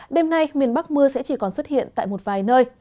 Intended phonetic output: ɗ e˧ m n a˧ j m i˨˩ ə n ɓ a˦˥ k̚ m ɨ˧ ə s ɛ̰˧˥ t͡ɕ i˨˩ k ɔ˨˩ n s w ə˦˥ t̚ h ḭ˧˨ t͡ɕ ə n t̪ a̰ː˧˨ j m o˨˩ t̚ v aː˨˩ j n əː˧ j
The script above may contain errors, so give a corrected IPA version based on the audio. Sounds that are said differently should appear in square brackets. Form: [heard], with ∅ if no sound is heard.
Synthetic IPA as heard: ɗ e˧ m n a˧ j m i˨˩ ə n ɓ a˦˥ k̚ m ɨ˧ ə s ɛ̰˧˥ t͡ɕ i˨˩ k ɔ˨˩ n s w ə˦˥ t̚ h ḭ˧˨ [∅] ə n t̪ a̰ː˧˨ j m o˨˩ t̚ v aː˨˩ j n əː˧ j

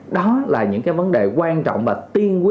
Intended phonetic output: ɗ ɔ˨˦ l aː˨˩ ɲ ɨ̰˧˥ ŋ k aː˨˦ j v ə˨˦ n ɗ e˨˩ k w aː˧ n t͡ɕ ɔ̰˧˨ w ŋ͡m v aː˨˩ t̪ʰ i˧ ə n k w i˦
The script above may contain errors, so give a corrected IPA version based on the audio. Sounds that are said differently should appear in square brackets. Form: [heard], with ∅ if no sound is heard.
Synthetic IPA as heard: ɗ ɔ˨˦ l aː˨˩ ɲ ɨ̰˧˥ ŋ k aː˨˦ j v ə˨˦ n ɗ e˨˩ k w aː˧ n t͡ɕ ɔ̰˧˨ w ŋ͡m v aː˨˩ [t̪] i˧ ə n k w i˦

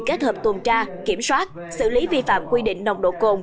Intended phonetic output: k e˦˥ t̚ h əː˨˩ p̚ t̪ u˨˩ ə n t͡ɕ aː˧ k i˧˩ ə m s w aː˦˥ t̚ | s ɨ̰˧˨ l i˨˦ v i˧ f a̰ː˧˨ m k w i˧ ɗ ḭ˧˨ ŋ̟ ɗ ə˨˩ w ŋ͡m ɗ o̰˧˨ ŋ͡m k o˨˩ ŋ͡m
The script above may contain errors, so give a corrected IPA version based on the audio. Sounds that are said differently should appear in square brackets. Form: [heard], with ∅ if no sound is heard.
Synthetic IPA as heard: k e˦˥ t̚ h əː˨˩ p̚ t̪ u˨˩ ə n t͡ɕ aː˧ k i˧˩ ə m s w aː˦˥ t̚ | s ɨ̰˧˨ l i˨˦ v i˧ f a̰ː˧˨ m k w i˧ ɗ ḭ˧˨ ŋ̟ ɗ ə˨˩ w ŋ͡m ɗ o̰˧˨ [∅] k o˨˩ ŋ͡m

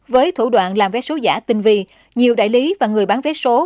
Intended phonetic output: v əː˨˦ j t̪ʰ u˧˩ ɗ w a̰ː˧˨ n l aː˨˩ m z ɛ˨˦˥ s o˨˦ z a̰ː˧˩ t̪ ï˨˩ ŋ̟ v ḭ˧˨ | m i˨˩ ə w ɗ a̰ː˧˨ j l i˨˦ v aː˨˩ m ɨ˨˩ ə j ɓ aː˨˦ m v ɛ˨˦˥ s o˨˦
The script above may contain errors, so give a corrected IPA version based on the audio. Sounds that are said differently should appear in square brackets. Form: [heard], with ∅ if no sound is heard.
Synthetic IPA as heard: v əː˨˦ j t̪ʰ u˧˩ ɗ w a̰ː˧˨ n l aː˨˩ m [v] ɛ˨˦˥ s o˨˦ z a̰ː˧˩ t̪ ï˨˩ ŋ̟ v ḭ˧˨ | [ɲ] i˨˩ ə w ɗ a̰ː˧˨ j l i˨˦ v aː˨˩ [ŋ] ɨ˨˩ ə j ɓ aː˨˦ [n] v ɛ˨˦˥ s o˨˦

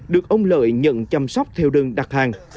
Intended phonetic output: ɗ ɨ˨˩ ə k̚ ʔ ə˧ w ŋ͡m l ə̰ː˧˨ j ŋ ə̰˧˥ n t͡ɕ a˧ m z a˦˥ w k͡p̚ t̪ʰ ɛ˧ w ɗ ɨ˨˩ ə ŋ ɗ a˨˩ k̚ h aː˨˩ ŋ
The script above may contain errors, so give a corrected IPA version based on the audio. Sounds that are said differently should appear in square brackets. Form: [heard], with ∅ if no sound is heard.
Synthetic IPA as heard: ɗ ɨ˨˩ ə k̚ ʔ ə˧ w ŋ͡m l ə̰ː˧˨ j [ɲ] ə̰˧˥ n t͡ɕ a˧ m [s] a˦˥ w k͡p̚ t̪ʰ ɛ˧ w ɗ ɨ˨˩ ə ŋ ɗ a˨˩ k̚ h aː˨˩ ŋ

